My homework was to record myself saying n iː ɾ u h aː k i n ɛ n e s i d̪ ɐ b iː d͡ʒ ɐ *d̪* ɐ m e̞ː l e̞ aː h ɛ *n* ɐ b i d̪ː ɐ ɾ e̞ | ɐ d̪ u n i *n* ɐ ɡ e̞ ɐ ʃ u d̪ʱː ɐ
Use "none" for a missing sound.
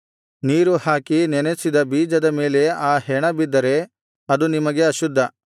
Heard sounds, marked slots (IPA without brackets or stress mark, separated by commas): d̪, ɳ, m